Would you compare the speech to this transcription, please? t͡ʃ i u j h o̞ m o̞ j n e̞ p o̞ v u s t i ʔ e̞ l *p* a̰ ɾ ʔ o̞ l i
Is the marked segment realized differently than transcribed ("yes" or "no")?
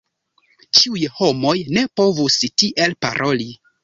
no